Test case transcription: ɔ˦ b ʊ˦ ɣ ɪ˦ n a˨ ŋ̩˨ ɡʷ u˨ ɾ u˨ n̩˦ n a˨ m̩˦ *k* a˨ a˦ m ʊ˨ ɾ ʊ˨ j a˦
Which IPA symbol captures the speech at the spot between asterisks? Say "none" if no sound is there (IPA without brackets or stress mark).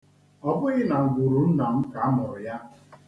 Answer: k